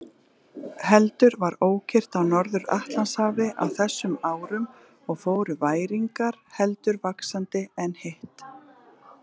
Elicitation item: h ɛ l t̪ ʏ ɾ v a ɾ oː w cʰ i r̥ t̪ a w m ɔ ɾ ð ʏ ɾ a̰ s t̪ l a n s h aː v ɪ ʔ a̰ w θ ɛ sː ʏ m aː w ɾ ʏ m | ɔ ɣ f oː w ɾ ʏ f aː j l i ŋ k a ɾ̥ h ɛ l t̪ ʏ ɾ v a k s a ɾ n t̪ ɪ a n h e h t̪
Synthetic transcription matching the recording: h ɛ l t̪ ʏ ɾ v a ɾ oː w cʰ ɪ r̥ t̪ a w n ɔ ɾ ð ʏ ɾ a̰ h t̪ l a n s h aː v ɪ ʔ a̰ w θ ɛ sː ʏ m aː w ɾ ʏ m | ɔ ɣ f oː w ɾ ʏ v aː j ɾ i ŋ k a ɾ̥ h ɛ l t̪ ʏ ɾ v a k s a n t̪ ɪ ɛ n h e h t̪